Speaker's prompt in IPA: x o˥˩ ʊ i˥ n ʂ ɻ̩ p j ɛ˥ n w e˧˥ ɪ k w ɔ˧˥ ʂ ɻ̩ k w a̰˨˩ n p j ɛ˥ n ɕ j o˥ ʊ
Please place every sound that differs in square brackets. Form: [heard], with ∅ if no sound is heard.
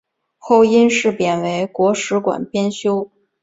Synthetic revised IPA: x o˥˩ ʊ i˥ n ʂ ɻ̩ p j [ɛ˨˩] n w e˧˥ ɪ k w ɔ˧˥ ʂ ɻ̩ k w a̰˨˩ n p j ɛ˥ n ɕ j o˥ ʊ